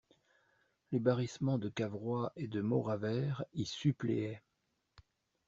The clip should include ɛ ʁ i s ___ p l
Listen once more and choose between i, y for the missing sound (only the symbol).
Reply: y